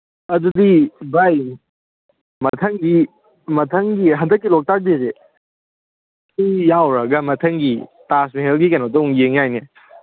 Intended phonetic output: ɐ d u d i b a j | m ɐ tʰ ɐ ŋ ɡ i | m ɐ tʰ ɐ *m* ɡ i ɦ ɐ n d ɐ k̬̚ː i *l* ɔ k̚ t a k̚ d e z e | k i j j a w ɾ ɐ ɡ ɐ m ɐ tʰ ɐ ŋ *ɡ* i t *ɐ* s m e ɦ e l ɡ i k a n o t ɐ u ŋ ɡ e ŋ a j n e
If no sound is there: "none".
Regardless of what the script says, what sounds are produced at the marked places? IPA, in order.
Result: ŋ, l, ɡ, a

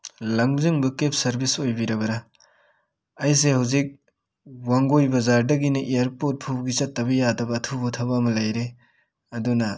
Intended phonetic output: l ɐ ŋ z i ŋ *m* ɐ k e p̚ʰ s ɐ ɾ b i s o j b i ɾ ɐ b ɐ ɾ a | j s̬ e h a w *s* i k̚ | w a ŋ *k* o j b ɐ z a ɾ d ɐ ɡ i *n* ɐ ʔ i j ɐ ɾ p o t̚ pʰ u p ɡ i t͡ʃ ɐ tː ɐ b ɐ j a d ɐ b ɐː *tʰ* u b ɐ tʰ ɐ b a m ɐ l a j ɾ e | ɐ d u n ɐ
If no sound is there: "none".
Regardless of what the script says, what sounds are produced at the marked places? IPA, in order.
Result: b, z, ɡ, n, tʰ

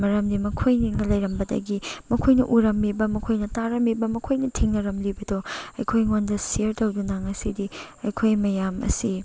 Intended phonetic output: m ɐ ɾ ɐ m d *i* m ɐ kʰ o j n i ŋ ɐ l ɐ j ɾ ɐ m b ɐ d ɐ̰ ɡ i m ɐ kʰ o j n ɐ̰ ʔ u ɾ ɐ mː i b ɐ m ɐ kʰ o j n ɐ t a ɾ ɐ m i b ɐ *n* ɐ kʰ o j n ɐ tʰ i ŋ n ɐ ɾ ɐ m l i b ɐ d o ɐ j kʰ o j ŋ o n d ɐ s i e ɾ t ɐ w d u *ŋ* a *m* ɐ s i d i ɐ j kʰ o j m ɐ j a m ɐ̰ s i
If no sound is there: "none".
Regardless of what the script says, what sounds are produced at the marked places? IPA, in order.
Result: i, m, n, ŋ

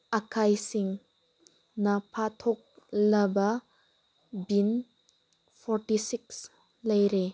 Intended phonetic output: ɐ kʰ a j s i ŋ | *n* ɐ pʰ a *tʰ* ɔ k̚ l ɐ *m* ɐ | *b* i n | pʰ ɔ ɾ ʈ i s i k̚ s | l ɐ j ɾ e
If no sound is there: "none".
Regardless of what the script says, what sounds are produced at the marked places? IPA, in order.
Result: n, tʰ, b, b

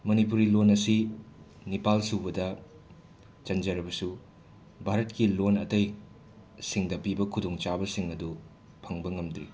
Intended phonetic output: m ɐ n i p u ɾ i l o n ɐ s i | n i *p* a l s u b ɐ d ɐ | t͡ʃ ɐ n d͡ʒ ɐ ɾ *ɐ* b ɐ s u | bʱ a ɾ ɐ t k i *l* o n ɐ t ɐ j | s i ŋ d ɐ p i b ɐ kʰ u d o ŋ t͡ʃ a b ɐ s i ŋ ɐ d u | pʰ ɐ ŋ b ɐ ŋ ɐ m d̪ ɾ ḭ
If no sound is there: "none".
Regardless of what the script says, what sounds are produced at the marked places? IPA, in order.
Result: p, ɐ, l

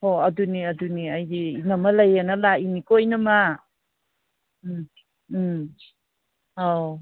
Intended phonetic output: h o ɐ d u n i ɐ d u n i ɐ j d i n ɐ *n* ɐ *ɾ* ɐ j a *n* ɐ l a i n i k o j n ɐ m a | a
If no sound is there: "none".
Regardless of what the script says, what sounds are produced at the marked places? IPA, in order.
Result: m, l, n

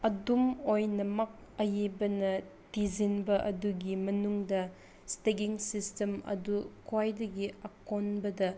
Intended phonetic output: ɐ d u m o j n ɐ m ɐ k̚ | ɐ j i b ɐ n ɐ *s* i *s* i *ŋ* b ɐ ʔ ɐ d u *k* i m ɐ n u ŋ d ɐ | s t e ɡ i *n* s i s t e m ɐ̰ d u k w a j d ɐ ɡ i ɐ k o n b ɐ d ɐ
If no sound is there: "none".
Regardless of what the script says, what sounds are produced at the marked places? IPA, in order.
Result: t, z, n, ɡ, ŋ

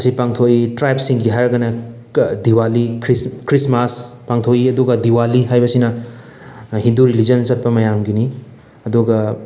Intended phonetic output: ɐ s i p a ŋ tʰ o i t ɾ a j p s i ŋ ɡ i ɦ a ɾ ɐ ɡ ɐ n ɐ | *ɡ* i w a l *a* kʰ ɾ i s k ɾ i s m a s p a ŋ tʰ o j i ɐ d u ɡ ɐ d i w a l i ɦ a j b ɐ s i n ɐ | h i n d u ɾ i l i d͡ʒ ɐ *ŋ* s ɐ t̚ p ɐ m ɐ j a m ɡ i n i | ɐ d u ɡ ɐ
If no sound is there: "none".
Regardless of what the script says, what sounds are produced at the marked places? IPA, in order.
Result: d, i, n

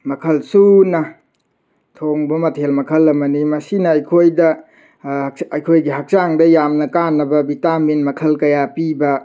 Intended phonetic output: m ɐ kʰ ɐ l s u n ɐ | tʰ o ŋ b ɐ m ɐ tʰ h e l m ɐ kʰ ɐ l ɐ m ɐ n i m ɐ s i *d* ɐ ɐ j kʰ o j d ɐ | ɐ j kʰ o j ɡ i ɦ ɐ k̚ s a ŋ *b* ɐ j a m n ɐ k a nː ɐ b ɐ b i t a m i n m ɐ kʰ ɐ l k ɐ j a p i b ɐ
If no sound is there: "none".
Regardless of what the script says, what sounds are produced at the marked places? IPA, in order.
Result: n, d

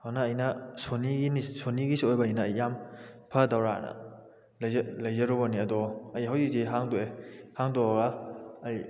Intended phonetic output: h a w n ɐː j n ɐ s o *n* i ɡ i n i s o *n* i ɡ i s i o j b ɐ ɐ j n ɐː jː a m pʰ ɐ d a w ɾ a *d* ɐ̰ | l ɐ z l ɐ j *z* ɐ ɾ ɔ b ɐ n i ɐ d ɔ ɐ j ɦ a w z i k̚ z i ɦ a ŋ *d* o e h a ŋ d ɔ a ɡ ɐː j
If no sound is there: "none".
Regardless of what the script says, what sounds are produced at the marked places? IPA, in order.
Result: n, n, n, z, d

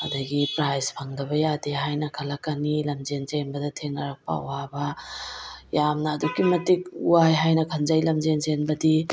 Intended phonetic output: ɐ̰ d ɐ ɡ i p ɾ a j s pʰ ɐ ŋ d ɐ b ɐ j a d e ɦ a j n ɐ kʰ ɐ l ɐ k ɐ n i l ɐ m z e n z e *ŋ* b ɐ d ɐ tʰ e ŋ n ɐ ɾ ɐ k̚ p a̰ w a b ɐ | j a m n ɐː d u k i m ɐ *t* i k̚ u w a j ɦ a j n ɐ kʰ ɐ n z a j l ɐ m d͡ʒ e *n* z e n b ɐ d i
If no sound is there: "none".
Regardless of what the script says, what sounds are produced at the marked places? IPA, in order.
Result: n, t, n

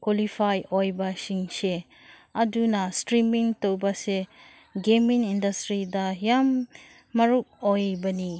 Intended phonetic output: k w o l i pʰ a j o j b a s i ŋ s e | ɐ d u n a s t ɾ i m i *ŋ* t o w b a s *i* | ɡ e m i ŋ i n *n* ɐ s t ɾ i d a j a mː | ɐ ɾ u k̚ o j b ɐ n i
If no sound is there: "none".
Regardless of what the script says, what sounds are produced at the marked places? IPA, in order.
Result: ŋ, e, d

